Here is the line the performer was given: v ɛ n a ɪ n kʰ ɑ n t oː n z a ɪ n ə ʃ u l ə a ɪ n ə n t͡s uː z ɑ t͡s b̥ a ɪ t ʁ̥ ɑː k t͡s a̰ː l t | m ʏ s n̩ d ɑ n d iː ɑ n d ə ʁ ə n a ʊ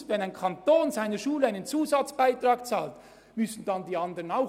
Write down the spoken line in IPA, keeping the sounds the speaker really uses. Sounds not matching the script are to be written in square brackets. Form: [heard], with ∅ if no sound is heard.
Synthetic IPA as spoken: v ɛ n a ɪ n kʰ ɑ n t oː n z a ɪ n ə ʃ [uː] l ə a ɪ n ə n t͡s uː z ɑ t͡s b̥ a ɪ t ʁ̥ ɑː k t͡s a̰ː l t | m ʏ s n̩ d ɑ n d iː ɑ n d ə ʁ ə n a ʊ

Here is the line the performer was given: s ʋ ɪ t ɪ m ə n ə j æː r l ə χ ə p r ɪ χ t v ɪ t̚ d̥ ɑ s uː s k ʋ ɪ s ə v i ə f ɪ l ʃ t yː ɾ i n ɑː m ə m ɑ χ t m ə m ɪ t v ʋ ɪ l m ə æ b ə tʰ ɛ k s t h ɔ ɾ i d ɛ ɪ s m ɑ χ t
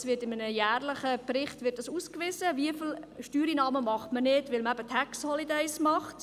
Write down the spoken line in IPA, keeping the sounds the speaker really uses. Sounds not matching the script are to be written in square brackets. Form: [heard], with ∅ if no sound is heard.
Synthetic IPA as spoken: s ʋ ɪ t ɪ m ə n ə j æː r l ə χ ə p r ɪ χ t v ɪ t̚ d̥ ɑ s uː s k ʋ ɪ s ə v i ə f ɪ l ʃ t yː ɾ i n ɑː m ə m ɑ χ t m ə [n] ɪ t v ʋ ɪ l m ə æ b ə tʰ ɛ k s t h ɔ [l] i d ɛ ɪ s m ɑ χ t

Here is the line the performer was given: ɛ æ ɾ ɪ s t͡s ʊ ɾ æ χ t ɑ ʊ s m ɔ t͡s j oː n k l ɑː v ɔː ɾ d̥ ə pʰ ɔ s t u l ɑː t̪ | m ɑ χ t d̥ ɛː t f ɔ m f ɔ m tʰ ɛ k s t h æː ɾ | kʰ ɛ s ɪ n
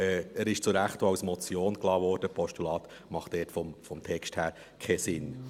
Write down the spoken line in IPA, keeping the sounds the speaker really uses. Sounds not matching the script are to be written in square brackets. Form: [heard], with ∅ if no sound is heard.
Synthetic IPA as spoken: ɛ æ ɾ ɪ [ʃ] t͡s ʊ ɾ æ χ t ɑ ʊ s m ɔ t͡s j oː n k l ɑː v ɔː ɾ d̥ ə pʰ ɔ [ʃ] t u l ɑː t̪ | m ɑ χ t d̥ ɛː t f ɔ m f ɔ m tʰ ɛ k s t h æː ɾ | kʰ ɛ s ɪ n

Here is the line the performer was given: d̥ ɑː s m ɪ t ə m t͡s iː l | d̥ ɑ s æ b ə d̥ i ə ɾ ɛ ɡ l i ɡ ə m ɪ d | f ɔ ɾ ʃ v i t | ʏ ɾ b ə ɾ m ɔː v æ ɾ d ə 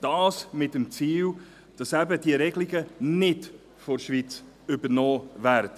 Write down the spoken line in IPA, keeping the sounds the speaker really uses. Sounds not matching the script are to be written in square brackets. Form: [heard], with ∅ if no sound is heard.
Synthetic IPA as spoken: d̥ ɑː s m ɪ t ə m t͡s iː l | d̥ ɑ s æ b ə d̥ i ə ɾ ɛ ɡ l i ɡ ə [n] ɪ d | f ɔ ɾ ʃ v i [t͡s] | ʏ [∅] b ə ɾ [n] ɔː v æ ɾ d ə

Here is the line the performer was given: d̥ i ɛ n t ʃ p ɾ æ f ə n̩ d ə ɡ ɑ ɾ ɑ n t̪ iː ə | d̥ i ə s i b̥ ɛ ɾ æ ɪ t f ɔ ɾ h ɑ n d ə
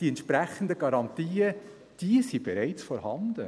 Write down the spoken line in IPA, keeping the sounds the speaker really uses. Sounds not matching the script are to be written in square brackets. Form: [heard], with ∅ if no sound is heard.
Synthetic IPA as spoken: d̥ i ɛ n t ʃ p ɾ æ [χ] ə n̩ d ə ɡ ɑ ɾ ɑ n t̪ iː ə | d̥ i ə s i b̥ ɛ ɾ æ ɪ [t͡s] f ɔ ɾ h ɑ n d ə

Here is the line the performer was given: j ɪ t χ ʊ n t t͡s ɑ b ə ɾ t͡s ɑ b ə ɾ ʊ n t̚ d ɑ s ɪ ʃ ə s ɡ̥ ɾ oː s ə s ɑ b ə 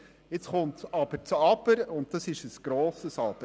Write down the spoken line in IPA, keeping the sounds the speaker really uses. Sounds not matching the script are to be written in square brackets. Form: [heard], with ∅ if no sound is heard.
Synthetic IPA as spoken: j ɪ [t͡s] χ ʊ n t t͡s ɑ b ə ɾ t͡s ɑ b ə ɾ ʊ n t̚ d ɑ s ɪ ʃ ə s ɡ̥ ɾ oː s ə s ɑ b ə

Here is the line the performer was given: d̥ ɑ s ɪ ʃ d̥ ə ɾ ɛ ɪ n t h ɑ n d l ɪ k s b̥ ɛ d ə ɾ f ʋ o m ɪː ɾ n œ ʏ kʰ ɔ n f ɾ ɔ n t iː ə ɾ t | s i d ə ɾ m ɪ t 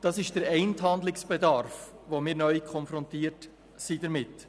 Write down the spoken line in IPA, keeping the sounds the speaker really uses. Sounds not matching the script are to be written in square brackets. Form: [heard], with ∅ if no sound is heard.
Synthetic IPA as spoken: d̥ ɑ s ɪ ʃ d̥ ə ɾ ɛ ɪ n t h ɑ n d l ɪ k s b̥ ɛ d [ɑ] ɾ f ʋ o m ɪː ɾ n œ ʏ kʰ ɔ n f ɾ ɔ n t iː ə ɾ t | s i d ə ɾ m ɪ t

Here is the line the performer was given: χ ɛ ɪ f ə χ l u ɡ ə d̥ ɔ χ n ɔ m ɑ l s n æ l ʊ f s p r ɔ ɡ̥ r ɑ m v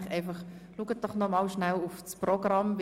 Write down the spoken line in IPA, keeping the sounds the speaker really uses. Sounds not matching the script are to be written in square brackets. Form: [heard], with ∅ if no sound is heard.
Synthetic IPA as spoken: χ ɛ ɪ f [ɑ] χ l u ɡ ə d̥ ɔ χ n ɔ m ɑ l [ʃ] n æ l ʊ f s p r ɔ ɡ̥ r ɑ m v

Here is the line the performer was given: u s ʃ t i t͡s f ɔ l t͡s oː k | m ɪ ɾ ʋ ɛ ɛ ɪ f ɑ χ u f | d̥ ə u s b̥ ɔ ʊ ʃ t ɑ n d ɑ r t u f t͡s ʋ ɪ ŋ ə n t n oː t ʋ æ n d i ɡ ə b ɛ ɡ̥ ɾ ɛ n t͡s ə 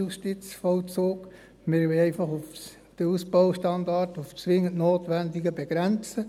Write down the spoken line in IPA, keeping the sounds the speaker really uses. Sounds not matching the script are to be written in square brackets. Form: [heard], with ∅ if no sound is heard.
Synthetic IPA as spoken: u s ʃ t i t͡s f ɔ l t͡s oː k | m ɪ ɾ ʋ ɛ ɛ ɪ f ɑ χ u f | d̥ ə u s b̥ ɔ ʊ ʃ t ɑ n d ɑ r t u f t͡s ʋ ɪ ŋ ə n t n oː t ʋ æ n d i ɡ ə b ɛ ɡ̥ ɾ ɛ n t͡s ə

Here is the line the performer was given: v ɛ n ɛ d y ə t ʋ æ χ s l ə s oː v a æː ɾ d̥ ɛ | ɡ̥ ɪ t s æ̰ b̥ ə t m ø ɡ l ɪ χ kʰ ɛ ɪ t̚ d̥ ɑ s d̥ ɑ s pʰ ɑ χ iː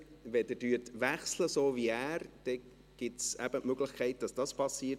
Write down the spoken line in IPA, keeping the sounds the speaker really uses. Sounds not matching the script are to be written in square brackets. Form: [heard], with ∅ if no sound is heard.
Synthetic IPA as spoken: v ɛ [d] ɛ d y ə t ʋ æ χ s l ə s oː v [i] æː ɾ d̥ ɛ | ɡ̥ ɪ t s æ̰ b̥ ə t m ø ɡ l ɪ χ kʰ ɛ ɪ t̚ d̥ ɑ s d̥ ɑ s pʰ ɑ [s] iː

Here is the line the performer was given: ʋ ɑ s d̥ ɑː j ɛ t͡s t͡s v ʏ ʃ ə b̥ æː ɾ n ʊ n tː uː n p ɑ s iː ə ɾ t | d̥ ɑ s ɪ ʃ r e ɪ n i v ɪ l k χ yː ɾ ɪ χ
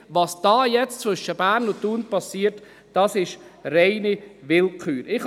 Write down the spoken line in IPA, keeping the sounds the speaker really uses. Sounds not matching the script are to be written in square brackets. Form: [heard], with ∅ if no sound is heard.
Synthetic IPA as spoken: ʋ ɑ s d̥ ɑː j ɛ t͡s t͡s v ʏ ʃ ə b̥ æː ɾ n ʊ n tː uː n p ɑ s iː ə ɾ t | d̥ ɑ s ɪ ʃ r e ɪ n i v ɪ l k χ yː ɾ ɪ χ

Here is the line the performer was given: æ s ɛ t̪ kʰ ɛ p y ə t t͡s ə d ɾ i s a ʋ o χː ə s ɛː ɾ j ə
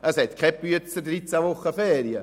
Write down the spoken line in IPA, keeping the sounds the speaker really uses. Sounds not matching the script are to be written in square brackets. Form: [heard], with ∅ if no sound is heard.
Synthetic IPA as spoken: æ s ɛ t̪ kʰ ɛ p y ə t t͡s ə d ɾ i [t͡s] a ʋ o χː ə [f] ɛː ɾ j ə

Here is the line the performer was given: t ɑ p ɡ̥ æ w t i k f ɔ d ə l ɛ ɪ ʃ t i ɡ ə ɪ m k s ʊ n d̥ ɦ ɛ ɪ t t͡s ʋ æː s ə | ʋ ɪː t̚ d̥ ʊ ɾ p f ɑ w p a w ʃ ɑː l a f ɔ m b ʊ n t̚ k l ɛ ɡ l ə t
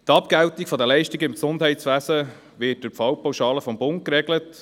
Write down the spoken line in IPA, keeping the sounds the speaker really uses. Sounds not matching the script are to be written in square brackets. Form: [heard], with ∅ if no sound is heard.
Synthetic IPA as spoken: t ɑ p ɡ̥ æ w t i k f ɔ d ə l ɛ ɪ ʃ t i ɡ ə ɪ m k s ʊ n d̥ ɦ ɛ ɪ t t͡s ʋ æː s ə | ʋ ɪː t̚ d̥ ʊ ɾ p f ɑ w p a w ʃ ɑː l [ə] f ɔ m b ʊ n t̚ k [ɾ] ɛ ɡ l ə t

